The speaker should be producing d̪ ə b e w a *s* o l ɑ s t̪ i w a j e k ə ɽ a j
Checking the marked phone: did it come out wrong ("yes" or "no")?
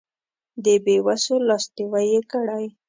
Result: no